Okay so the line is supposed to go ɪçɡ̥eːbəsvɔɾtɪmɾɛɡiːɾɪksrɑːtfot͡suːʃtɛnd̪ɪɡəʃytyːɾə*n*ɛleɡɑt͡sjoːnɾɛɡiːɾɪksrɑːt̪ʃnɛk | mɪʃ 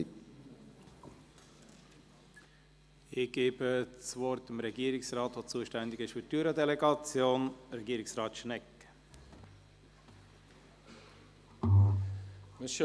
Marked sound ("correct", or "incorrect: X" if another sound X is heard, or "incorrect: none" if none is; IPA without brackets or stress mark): incorrect: d